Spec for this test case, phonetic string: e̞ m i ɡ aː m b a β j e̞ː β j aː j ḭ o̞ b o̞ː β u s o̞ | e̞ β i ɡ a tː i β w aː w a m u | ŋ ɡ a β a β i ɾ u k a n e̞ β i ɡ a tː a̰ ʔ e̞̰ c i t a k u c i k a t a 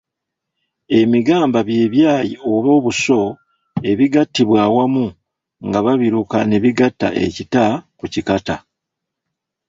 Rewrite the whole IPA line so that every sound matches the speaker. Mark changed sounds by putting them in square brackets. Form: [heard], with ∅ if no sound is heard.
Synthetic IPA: e̞ m i ɡ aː m b a β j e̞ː β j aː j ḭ o̞ [β] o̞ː β u s o̞ | e̞ β i ɡ a tː i β w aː w a m u | ŋ ɡ a β a β i ɾ u k a n e̞ β i ɡ a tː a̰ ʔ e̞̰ c i t a k u c i k a t a